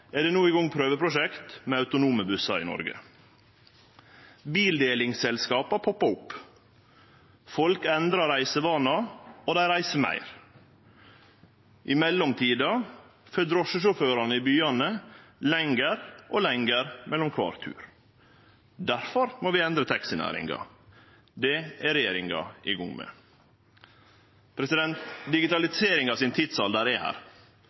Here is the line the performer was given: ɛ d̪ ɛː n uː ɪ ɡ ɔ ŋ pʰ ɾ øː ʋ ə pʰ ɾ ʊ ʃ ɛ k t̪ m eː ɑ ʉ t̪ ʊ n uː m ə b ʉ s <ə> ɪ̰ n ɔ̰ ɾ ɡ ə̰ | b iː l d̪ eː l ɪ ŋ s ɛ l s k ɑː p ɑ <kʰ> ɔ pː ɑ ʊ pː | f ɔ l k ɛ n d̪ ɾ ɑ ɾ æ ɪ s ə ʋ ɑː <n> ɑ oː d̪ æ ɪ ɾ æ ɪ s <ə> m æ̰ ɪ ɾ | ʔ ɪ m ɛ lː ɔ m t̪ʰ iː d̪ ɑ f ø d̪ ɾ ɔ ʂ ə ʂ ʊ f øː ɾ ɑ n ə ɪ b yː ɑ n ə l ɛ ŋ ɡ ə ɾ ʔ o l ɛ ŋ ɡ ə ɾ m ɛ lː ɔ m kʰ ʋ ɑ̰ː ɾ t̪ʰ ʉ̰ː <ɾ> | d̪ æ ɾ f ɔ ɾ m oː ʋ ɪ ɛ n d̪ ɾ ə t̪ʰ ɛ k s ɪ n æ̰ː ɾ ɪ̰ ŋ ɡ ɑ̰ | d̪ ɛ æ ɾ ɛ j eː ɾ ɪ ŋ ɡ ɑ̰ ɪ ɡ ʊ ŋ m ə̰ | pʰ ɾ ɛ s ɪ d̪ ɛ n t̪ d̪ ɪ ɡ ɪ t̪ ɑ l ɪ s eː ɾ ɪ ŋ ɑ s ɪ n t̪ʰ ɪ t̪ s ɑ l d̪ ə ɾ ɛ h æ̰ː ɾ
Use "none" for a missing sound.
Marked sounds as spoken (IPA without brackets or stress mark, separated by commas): ɑ, pʰ, n, ə, ɾ